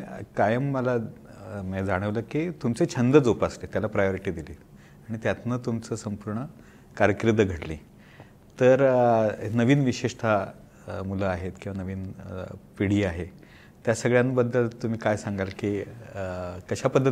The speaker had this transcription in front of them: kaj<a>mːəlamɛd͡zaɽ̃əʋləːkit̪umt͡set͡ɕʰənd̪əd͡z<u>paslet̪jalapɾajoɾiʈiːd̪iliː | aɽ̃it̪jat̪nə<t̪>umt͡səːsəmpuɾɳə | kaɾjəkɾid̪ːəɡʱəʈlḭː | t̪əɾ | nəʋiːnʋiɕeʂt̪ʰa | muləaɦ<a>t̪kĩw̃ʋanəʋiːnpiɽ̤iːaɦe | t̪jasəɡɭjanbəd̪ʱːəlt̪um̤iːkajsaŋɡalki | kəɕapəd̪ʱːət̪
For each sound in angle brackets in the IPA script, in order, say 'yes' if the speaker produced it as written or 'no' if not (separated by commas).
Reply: no, no, yes, no